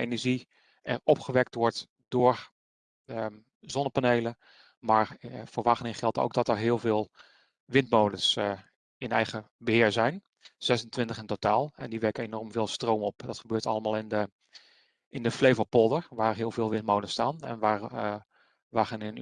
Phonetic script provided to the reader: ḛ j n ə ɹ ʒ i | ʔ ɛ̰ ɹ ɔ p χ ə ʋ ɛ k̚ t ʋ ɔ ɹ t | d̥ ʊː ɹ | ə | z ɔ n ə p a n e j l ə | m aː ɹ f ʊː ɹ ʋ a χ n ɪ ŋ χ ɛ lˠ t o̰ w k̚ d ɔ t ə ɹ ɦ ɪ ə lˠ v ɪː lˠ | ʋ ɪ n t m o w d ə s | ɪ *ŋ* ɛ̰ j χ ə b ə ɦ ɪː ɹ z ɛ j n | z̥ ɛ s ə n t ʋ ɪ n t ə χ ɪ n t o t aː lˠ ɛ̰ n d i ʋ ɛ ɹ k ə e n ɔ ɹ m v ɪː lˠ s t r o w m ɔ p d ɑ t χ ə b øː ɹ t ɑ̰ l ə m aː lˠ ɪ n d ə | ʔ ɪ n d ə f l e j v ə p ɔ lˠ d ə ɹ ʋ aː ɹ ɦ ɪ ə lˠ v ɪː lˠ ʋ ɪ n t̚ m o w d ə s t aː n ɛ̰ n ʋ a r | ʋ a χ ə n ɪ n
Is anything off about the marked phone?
yes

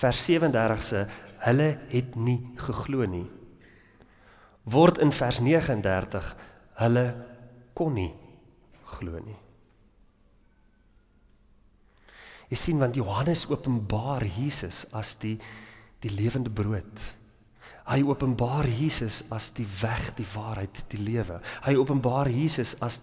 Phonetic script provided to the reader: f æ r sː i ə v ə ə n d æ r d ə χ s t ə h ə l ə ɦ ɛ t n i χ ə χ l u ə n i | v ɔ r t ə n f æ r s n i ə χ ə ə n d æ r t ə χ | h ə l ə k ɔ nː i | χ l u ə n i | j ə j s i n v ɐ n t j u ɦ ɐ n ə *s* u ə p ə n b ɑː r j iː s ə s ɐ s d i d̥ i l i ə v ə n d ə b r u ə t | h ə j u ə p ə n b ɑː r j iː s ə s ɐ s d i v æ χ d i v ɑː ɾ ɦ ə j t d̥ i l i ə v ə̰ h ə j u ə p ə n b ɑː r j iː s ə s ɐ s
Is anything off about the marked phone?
no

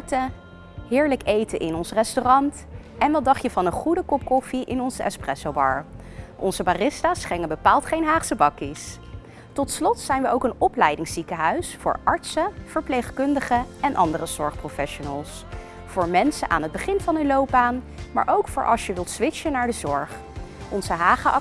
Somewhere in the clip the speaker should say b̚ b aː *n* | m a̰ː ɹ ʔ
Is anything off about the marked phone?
no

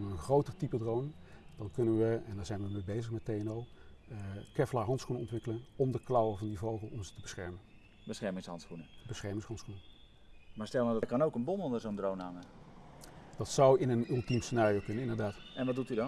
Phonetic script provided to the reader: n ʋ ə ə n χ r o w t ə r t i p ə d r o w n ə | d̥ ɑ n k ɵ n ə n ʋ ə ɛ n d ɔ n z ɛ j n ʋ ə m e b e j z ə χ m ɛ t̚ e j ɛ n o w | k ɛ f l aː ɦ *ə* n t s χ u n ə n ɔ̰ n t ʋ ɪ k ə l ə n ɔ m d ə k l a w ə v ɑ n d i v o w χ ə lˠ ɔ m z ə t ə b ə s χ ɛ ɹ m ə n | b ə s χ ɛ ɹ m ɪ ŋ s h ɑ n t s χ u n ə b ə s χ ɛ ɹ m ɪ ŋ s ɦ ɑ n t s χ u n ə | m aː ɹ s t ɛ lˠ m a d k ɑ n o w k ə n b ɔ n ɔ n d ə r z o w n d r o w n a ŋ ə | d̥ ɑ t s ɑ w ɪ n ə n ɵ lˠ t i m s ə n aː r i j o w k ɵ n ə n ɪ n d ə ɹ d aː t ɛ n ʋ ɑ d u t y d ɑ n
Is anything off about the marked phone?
yes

